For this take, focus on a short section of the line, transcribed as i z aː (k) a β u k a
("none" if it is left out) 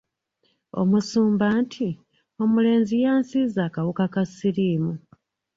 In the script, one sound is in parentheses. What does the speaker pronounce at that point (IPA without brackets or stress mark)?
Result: k